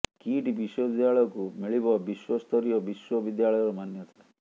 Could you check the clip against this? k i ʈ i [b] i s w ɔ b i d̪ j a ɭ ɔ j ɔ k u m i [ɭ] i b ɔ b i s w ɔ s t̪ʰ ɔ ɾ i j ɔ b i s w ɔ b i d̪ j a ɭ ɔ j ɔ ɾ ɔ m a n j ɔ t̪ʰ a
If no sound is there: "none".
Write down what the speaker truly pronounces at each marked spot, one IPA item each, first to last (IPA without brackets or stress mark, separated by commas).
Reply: b, ɭ